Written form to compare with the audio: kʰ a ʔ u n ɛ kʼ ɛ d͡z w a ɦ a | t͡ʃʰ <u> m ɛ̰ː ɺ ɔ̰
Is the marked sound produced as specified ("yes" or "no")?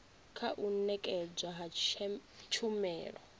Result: yes